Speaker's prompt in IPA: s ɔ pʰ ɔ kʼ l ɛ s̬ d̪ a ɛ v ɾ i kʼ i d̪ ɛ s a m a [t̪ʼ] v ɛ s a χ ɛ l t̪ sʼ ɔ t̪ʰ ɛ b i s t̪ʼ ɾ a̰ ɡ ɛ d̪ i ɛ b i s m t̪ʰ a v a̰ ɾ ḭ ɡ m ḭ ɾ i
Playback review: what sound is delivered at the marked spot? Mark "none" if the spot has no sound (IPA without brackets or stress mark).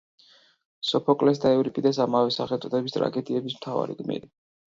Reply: none